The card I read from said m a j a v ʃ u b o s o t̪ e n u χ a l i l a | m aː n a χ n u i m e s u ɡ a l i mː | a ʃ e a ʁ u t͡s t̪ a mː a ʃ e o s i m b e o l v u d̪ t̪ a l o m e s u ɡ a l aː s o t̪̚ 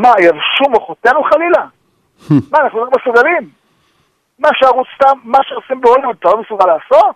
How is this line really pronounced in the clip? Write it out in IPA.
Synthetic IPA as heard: m a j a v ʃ u m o χ o t̪ e n u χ a l i l a | m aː n a χ n u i m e s u ɡ a l i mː | a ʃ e a ʁ u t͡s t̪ a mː a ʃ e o s i m b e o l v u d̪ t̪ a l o m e s u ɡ a l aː s o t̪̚